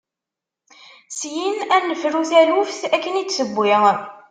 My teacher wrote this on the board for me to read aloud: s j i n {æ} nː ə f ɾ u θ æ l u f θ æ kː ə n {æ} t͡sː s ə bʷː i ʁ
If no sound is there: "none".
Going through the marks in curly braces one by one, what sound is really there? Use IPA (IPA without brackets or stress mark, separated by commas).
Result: æ, i